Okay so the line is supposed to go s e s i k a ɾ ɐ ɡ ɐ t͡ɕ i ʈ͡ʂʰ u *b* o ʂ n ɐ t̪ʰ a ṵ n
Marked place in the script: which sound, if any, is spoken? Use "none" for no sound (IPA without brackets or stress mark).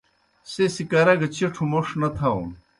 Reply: m